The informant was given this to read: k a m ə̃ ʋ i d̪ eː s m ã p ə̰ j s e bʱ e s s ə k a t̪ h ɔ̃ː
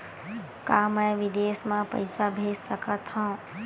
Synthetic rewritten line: k a m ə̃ ʋ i d̪ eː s m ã p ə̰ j s a bʱ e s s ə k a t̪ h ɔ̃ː